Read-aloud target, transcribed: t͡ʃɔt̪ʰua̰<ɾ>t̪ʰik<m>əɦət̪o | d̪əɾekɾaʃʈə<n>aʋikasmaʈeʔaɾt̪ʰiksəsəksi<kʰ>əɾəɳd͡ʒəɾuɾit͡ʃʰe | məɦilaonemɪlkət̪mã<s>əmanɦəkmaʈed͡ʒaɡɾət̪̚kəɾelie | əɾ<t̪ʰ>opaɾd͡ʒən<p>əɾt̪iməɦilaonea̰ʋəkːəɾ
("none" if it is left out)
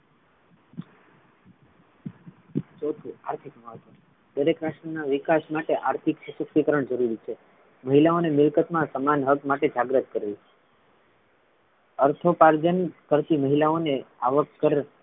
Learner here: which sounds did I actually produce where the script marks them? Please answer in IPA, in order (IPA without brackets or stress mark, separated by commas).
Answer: ɾ, m, n, k, s, t̪ʰ, k